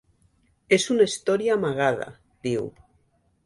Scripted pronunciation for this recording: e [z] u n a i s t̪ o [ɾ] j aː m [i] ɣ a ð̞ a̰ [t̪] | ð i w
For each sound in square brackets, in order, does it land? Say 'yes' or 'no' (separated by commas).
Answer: no, yes, no, no